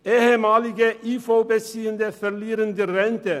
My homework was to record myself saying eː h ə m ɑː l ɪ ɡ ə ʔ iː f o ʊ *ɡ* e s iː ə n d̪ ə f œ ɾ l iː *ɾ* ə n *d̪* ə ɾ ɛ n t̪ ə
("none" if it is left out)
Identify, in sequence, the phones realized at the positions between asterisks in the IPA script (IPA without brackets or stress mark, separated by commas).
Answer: b, ɾ, d̪